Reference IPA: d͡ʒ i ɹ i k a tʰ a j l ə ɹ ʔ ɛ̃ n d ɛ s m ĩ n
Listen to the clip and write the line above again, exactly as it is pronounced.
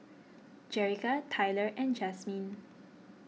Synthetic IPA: d͡ʒ ɛ ɹ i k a tʰ a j l ə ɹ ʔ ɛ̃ n d͡ʒ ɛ s m ĩ n